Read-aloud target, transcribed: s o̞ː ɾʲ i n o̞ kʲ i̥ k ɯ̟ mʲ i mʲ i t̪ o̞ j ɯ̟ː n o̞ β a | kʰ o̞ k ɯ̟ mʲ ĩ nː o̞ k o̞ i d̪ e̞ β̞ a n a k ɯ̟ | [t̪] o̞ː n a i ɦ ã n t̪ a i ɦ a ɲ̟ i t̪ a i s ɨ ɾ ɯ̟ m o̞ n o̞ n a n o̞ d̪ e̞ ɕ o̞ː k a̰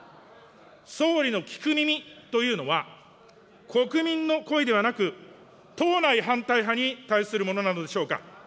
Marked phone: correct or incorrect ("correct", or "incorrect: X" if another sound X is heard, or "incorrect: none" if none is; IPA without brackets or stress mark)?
correct